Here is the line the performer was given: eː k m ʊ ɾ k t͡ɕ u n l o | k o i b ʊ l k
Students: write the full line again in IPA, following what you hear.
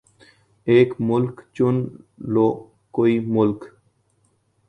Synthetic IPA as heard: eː k m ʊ l k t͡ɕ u n l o | k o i m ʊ l k